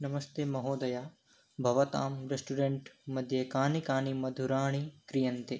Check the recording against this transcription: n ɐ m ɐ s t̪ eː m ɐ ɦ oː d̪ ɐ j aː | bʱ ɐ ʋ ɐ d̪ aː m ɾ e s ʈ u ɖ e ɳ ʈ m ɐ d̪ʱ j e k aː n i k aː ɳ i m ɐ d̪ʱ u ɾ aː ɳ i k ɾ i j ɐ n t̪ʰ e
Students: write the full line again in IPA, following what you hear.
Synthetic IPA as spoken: n ɐ m ɐ s t̪ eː m ɐ ɦ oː d̪ ɐ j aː | bʱ ɐ ʋ ɐ t̪ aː m ɾ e s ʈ u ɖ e ɳ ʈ m ɐ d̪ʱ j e k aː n i k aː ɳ i m ɐ d̪ʱ u ɾ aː ɳ i k ɾ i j ɐ n t̪ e